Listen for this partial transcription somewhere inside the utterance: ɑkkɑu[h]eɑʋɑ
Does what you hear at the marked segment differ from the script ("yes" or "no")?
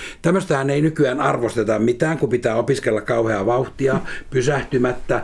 no